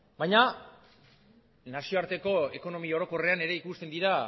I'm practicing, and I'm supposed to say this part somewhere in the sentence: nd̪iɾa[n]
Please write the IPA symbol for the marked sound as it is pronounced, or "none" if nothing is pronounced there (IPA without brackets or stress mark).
none